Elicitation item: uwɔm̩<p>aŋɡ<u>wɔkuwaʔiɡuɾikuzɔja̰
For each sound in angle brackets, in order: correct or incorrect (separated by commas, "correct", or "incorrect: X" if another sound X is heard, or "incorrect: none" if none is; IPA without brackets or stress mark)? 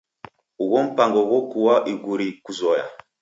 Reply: correct, incorrect: ɔ